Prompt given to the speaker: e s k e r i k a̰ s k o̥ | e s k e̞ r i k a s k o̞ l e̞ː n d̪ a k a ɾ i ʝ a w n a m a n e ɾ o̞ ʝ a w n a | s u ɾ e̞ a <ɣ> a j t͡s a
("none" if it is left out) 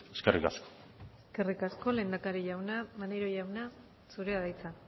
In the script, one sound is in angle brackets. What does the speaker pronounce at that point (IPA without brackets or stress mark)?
ð